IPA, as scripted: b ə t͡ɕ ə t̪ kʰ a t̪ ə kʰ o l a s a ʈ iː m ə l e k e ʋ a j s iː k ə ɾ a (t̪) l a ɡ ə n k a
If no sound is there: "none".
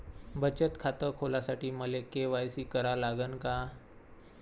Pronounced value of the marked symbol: none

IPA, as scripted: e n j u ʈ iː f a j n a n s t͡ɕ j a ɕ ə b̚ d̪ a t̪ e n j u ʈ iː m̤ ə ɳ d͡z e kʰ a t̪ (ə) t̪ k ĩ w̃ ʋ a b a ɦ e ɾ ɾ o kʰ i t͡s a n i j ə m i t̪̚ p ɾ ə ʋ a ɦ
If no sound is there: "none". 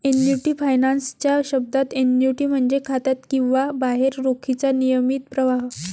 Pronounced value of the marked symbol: a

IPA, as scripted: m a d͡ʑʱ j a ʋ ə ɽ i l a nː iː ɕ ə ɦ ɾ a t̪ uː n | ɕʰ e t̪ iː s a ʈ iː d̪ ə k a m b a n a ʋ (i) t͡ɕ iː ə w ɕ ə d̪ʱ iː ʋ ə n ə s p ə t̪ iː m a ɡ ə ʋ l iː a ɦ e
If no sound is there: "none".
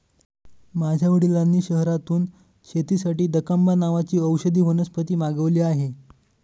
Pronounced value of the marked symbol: a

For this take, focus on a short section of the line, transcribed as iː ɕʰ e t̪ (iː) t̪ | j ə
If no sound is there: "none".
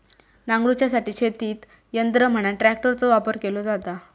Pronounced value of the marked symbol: iː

